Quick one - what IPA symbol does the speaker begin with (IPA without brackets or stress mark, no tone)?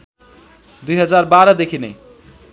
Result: d̪